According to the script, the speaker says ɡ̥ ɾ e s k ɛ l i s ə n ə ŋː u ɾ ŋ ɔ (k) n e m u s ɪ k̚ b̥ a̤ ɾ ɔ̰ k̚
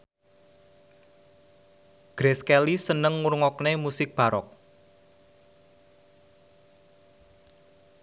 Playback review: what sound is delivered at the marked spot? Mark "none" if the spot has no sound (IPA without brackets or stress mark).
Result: k